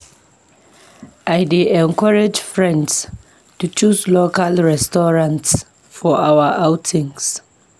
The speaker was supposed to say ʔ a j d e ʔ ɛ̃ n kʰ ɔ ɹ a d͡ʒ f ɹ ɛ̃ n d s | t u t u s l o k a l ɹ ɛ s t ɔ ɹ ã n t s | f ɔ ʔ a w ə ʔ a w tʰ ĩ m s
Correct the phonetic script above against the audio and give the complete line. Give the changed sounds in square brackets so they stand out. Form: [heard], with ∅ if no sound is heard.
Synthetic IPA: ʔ a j d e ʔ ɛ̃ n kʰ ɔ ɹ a d͡ʒ f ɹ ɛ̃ n d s | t u [t͡ʃ] u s l o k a l ɹ ɛ s t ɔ ɹ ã n t s | f ɔ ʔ a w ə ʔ a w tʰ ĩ [ŋ] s